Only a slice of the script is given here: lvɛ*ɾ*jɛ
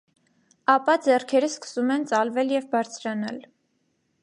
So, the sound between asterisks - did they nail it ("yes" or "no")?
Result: no